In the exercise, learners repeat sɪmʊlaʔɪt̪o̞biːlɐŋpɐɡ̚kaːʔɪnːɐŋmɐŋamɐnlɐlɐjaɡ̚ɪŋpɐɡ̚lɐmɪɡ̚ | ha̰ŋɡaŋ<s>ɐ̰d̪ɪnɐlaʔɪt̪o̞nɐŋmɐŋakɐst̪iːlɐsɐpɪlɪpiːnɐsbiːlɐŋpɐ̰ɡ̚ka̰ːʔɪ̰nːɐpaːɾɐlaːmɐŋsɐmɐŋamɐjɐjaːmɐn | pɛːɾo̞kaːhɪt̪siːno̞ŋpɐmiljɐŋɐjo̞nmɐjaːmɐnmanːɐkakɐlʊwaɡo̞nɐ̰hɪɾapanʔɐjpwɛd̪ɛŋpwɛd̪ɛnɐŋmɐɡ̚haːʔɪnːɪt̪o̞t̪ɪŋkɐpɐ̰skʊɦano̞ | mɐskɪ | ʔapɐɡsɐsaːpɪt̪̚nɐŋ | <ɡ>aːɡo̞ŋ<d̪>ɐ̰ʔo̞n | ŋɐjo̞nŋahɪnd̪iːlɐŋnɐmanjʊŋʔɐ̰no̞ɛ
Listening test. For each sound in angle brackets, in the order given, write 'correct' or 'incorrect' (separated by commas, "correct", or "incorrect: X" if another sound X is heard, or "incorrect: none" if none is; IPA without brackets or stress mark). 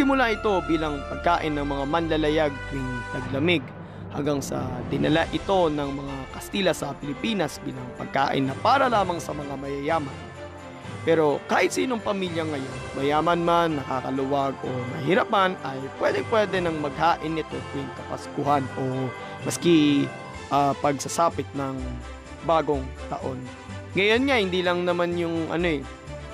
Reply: correct, incorrect: b, incorrect: t̪